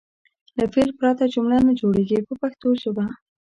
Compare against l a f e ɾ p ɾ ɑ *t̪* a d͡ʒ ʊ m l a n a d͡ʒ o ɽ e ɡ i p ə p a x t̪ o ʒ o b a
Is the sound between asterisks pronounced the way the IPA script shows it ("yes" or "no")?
yes